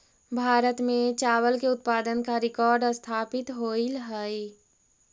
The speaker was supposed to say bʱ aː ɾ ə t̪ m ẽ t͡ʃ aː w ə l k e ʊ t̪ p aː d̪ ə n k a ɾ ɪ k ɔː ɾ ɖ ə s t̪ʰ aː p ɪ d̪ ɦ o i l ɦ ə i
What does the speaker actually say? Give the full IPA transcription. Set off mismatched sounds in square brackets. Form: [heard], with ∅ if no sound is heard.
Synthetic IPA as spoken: bʱ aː ɾ ə t̪ m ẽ t͡ʃ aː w ə l k e ʊ t̪ p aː d̪ ə n k a ɾ ɪ k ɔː ɾ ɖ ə s t̪ʰ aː p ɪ [t̪] ɦ o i l ɦ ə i